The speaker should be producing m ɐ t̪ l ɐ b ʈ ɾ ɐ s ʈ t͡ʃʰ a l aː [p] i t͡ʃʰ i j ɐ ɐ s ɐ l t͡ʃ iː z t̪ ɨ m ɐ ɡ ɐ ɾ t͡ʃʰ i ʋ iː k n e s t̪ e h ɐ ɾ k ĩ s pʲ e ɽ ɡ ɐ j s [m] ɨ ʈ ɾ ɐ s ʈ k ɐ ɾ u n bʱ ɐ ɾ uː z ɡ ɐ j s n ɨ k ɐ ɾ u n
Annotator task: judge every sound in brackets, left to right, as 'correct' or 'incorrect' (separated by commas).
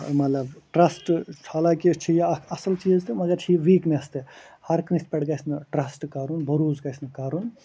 incorrect, incorrect